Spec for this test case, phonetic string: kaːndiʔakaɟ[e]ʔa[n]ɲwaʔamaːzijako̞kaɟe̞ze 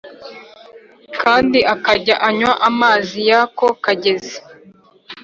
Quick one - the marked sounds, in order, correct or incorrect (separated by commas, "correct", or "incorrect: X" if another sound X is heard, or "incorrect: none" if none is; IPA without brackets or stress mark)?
incorrect: a, incorrect: none